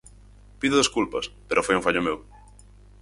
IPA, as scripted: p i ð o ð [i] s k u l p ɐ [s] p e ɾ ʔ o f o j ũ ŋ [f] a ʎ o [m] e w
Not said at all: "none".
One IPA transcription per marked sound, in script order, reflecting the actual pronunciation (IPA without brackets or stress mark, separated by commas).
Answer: e, s, f, m